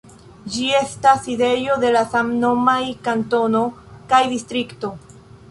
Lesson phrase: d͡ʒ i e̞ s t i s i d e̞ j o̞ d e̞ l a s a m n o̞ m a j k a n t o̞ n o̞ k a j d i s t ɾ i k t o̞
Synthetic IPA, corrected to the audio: d͡ʒ i e̞ s t a s i d e̞ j o̞ d e̞ l a s a m n o̞ m a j k a n t o̞ n o̞ k a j d i s t ɾ i k t o̞